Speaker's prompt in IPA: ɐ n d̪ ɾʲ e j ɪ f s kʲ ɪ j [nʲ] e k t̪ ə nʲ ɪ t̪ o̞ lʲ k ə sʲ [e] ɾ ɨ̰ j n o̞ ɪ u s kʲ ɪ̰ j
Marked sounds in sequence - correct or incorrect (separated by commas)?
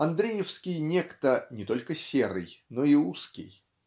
correct, correct